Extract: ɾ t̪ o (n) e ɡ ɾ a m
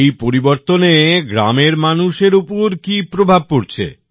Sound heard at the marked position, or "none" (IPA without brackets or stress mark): n